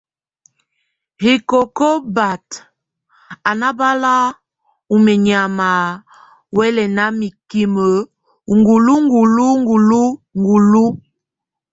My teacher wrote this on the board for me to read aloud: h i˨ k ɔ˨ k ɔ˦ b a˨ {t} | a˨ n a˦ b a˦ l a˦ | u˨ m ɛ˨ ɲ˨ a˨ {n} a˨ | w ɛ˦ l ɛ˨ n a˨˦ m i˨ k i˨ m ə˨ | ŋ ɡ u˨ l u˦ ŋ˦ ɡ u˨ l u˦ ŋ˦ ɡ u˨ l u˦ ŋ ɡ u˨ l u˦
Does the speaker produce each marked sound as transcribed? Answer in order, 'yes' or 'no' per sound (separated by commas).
yes, no